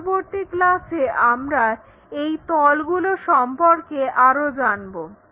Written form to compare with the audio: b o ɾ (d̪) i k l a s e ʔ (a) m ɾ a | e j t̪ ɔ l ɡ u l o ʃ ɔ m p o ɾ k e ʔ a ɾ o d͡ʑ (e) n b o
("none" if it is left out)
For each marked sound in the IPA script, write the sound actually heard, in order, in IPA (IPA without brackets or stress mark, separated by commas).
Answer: t̪, a, a